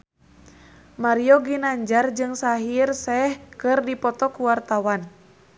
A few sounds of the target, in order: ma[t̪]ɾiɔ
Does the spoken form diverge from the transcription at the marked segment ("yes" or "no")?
yes